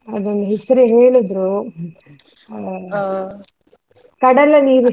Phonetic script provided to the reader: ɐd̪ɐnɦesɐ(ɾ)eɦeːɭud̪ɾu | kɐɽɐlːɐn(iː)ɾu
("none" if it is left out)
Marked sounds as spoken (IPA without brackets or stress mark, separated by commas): ɾ, iː